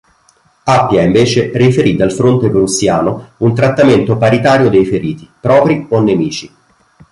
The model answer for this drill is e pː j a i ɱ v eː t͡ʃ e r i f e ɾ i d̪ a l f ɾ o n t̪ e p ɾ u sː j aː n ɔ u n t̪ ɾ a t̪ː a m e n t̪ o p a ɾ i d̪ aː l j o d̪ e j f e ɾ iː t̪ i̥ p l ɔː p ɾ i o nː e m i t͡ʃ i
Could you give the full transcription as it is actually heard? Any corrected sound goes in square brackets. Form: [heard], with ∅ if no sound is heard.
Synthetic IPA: [a] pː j a i ɱ v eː t͡ʃ e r i f e ɾ i d̪ a l f ɾ o n t̪ e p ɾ u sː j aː n [o] u n t̪ ɾ a t̪ː a m e n t̪ o p a ɾ i [t̪] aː [ɾ] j o d̪ e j f e ɾ iː t̪ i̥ p [ɾ] ɔː p ɾ i o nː e m [iː] t͡ʃ i